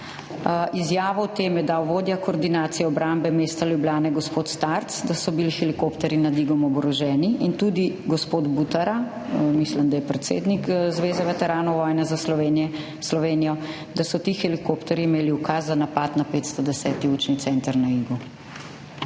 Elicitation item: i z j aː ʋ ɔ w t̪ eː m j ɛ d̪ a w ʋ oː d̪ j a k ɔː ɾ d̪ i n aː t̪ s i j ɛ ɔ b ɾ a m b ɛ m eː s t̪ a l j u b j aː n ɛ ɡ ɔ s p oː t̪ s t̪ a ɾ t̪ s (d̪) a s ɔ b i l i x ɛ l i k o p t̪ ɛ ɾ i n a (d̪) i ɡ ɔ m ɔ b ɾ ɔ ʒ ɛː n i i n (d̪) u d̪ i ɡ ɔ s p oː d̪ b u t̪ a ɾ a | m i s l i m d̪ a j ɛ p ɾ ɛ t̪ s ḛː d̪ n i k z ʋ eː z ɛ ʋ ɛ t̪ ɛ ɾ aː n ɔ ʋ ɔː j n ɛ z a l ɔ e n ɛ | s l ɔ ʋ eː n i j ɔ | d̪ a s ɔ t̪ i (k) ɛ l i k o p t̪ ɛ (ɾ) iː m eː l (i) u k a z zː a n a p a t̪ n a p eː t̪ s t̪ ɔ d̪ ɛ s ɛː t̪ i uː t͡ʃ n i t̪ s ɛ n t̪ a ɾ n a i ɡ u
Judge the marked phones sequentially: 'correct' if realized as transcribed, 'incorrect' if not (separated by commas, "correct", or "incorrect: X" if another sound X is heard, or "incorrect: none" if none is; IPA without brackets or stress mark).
correct, correct, incorrect: t̪, incorrect: x, correct, correct